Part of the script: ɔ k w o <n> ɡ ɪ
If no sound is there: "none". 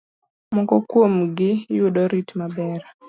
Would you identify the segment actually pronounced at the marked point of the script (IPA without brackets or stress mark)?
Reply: m